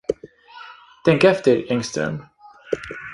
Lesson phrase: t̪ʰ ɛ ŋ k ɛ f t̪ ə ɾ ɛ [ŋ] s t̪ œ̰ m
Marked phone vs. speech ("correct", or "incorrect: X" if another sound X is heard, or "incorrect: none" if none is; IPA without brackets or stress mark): correct